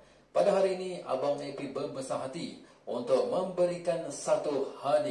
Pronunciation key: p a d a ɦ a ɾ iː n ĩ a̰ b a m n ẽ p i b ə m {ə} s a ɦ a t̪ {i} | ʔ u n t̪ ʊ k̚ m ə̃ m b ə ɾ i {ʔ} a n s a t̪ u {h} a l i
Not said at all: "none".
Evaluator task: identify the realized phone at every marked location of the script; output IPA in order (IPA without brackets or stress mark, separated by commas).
ə, i, k, h